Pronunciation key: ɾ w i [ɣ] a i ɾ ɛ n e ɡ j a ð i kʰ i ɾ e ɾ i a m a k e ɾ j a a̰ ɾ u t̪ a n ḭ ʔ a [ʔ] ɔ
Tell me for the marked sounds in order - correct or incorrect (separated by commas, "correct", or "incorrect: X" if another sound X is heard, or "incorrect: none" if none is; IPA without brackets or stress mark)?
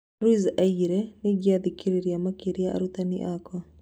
incorrect: z, incorrect: k